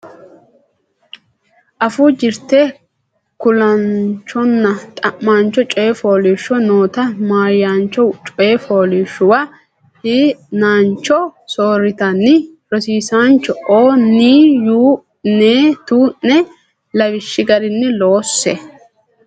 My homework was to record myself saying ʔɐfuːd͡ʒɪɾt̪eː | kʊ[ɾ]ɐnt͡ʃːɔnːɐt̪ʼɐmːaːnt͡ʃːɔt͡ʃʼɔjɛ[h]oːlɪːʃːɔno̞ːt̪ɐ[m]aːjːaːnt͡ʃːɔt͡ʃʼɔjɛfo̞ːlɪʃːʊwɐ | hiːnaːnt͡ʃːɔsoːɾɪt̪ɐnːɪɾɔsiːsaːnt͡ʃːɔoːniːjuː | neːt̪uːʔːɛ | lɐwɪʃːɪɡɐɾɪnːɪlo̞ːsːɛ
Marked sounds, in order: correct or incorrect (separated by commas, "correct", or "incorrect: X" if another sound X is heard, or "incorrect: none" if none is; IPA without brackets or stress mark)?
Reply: incorrect: l, incorrect: f, correct